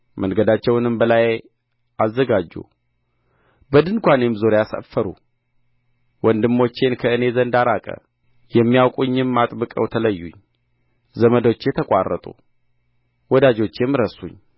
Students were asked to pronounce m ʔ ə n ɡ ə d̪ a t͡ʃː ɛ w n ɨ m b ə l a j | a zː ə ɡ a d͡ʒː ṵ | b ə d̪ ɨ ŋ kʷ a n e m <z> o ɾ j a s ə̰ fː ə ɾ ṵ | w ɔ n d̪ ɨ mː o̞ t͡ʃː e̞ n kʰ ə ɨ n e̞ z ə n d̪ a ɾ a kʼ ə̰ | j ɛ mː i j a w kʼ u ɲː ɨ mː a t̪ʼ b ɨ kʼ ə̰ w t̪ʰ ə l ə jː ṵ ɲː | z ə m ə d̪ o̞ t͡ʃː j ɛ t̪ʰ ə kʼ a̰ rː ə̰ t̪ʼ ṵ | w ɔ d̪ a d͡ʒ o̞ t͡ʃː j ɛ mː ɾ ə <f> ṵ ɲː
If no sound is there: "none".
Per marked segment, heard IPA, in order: z, s

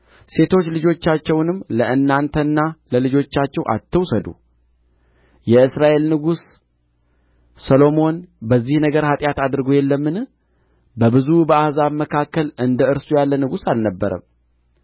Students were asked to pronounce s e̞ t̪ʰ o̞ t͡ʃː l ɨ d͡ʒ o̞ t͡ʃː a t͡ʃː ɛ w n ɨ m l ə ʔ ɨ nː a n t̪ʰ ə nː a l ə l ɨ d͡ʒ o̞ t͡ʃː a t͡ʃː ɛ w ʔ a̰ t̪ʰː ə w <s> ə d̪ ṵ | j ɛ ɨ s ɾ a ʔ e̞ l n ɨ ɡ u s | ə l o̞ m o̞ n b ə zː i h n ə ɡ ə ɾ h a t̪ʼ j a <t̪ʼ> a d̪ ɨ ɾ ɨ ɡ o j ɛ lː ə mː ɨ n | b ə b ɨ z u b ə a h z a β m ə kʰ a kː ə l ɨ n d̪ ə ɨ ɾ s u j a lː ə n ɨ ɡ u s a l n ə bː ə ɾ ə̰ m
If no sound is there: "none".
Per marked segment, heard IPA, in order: s, t̪

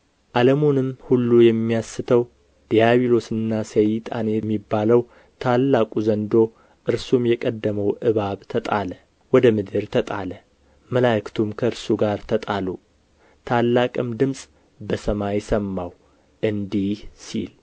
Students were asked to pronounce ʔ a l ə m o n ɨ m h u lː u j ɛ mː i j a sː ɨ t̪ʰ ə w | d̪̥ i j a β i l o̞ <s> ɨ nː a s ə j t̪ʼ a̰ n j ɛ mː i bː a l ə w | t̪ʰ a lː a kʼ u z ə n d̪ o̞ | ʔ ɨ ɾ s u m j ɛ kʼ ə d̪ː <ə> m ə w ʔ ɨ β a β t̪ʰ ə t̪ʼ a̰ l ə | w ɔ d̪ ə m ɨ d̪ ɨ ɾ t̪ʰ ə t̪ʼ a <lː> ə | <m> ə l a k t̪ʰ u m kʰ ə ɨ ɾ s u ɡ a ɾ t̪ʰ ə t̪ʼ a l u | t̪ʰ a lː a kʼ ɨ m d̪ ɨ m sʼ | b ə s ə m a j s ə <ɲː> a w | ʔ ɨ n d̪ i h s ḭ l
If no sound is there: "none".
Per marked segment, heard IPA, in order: s, ə, l, m, mː

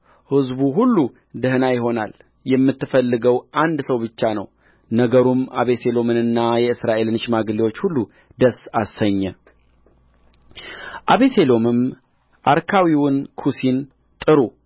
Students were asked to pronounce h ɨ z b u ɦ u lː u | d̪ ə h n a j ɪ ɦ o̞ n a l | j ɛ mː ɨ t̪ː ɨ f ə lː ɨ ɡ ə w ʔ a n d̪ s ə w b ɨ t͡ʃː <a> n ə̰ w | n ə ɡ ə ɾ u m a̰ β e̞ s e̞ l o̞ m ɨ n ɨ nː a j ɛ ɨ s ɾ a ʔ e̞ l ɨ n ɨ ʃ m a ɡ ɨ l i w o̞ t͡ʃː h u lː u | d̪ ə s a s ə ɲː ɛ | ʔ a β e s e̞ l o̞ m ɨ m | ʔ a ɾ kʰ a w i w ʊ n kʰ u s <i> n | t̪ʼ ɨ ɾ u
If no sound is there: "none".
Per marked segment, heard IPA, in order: a, i

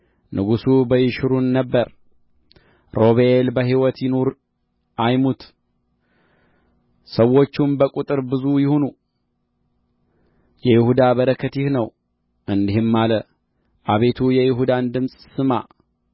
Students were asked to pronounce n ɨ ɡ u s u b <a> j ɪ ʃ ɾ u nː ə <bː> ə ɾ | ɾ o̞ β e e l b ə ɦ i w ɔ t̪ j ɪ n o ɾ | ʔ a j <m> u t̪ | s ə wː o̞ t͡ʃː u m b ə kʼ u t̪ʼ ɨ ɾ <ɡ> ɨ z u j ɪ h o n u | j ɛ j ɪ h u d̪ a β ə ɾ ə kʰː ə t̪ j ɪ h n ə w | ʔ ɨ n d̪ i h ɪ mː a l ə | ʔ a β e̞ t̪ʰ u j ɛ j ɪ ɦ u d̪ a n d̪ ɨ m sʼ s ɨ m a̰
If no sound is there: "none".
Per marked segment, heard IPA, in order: ə, bː, m, b

